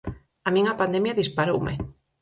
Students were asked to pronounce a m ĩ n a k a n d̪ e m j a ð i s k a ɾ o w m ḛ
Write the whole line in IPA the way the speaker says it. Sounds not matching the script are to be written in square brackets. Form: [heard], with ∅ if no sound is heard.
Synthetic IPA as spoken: a m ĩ [ŋ] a [p] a n d̪ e m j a ð i s [p] a ɾ o w m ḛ